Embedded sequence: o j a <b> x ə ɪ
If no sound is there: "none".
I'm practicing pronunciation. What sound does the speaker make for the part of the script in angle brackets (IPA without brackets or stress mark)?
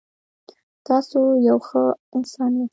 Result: w